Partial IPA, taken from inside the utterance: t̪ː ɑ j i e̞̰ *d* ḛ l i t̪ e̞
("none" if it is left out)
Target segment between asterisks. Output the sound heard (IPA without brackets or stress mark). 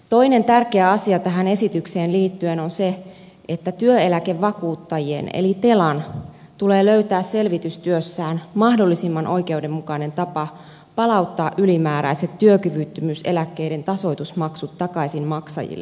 n